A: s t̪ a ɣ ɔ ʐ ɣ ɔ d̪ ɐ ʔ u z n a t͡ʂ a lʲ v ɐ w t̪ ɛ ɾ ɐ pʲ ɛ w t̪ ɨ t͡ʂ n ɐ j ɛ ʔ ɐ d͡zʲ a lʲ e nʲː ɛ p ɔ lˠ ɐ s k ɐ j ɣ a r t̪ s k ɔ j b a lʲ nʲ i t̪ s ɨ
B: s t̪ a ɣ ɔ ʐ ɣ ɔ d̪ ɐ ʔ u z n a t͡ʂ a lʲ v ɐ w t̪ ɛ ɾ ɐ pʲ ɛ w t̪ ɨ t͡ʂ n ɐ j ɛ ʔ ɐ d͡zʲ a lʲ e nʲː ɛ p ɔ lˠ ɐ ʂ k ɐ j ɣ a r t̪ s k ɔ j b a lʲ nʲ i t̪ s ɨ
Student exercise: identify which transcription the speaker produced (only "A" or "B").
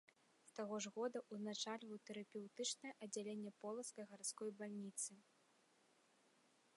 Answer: A